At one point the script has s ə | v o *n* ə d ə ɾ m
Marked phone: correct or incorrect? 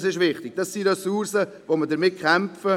incorrect